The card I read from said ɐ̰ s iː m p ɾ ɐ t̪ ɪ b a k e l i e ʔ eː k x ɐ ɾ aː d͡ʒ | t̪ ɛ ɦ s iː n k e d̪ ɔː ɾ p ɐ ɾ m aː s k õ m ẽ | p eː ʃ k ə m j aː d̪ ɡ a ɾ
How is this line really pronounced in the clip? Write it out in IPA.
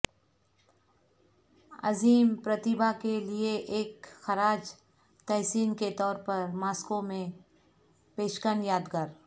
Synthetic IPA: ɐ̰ z iː m p ɾ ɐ t̪ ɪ b a k e l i e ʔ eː k x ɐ ɾ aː d͡ʒ | t̪ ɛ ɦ s iː n k e t̪ ɔː ɾ p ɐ ɾ m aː s k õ m ẽ | p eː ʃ k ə n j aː d̪ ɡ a ɾ